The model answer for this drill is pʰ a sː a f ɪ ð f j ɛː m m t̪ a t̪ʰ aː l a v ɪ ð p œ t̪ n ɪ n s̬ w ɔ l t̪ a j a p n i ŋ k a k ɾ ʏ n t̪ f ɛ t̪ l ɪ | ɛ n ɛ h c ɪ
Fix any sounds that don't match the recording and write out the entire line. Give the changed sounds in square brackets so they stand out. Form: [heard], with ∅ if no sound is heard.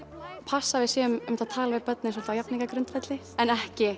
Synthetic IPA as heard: pʰ a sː a [v] ɪ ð [s] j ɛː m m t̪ a t̪ʰ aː l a v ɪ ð p œ t̪ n ɪ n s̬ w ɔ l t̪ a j a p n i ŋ k a k ɾ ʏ n t̪ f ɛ t̪ l ɪ | ɛ n ɛ h c ɪ